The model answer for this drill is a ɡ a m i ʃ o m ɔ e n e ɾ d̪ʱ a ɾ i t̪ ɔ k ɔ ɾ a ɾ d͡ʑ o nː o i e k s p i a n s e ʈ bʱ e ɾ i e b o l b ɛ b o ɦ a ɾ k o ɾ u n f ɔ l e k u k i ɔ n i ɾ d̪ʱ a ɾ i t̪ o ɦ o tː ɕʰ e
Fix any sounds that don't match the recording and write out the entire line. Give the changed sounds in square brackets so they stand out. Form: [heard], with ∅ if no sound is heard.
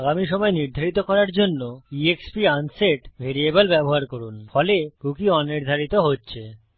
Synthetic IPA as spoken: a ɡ a m i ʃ [ɔ] m ɔ e n [i] ɾ d̪ʱ a ɾ i t̪ [o] k ɔ ɾ a ɾ d͡ʑ o nː o i e k s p i a n s e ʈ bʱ e ɾ i e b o l b ɛ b o ɦ a ɾ k o ɾ u n f ɔ l e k u k i ɔ n i ɾ d̪ʱ a ɾ i t̪ o ɦ o tː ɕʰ e

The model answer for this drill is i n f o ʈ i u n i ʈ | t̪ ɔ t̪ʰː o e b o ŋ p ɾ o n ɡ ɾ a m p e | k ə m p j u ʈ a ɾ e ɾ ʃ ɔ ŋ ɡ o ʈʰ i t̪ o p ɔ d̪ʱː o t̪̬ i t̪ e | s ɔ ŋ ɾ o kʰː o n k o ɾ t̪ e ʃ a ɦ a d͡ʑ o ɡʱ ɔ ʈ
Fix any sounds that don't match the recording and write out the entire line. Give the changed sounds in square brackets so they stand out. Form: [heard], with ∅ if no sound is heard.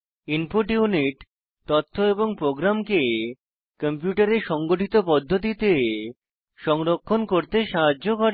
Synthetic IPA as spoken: i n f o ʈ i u n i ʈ | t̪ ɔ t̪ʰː o e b o ŋ p ɾ o [∅] ɡ ɾ a m [k] e | k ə m p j u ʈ a ɾ e ɾ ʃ ɔ ŋ ɡ o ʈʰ i t̪ o p ɔ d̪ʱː o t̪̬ i t̪ e | [ʃ] ɔ ŋ ɾ o kʰː o n k o ɾ t̪ e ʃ a ɦ a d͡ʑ o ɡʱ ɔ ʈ

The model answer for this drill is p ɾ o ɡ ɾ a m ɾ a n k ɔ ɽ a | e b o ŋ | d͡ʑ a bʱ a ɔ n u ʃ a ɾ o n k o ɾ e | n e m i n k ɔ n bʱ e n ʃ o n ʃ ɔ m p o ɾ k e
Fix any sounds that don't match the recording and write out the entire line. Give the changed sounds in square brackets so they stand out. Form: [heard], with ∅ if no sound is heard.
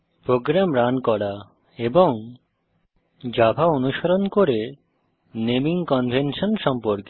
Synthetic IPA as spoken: p ɾ o ɡ ɾ a m ɾ a n k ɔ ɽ a | e b o ŋ | d͡ʑ a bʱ a [o] n u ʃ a ɾ o n k o ɾ e | n e m i [ŋ] k ɔ n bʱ e n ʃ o n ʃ ɔ m p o ɾ k e

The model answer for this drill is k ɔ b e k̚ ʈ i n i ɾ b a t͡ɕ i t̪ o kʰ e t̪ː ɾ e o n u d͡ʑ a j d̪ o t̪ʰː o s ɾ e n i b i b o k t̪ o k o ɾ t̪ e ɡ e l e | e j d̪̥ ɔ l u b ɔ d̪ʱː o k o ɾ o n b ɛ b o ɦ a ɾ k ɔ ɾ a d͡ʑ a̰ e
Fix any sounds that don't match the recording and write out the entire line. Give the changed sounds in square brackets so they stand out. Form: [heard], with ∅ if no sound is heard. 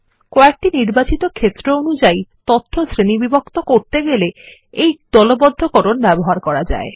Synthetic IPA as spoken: k ɔ [∅] e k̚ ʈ i n i ɾ b a t͡ɕ i t̪ o kʰ e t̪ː ɾ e o n u d͡ʑ a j [t̪] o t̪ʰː o s ɾ e n i b i b o k t̪ o k o ɾ t̪ e ɡ e l e | e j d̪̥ ɔ l [o] b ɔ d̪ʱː o k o ɾ o n b ɛ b o ɦ a ɾ k ɔ ɾ a d͡ʑ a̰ e

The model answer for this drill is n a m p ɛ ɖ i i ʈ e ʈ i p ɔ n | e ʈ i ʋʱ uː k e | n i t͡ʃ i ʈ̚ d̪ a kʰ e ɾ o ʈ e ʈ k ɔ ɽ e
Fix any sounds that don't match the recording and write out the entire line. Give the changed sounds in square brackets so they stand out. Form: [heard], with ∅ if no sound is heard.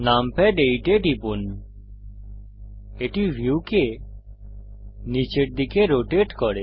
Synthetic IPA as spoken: n a m p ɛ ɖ [e] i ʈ e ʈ i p [u] n | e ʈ i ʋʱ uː k e | n i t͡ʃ [e] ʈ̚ d̪ [i] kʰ e ɾ o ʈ e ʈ k ɔ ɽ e

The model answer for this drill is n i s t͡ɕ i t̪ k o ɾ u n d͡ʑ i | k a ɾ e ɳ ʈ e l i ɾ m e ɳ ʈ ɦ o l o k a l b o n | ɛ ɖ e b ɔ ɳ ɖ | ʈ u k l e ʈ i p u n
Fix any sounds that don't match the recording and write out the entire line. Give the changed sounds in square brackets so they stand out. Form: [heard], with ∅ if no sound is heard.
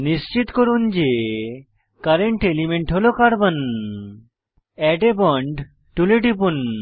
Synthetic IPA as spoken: n i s t͡ɕ i t̪ k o ɾ u n d͡ʑ [e] | k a ɾ e ɳ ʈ e l i [∅] m e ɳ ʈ ɦ o l o k a [ɾ] b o n | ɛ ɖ e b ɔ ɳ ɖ | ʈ u [∅] l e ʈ i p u n

